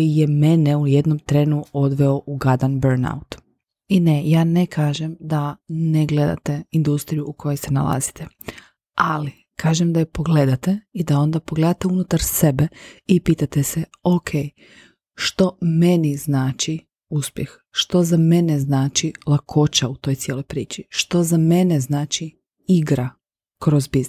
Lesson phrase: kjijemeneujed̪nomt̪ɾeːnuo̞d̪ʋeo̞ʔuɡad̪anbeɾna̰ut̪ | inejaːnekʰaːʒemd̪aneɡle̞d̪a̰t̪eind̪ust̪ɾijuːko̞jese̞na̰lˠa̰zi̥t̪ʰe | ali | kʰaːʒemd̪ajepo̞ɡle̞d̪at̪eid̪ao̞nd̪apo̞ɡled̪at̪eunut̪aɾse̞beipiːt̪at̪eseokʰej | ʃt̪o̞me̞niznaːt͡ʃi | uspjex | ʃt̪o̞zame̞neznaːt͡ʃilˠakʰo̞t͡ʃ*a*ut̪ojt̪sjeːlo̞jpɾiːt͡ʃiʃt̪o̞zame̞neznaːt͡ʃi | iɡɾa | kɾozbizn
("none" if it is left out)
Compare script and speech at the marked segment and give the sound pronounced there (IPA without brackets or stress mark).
a